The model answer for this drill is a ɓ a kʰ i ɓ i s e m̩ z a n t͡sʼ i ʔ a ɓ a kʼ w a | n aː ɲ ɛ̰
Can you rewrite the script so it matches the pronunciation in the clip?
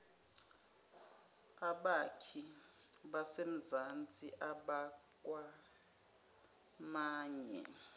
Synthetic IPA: a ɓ a kʰ i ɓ a s e m̩ z a n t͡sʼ i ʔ a ɓ a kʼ w a | m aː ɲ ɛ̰